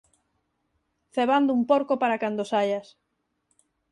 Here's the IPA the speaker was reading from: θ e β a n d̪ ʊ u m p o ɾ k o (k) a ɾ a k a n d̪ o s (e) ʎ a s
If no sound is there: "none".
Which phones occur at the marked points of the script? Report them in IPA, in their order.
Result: p, a

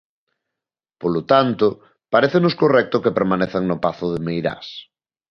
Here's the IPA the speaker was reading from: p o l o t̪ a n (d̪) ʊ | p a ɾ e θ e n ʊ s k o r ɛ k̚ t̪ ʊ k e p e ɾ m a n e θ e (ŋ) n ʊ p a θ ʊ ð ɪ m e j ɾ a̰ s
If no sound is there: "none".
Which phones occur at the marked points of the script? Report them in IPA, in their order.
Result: t̪, ŋ

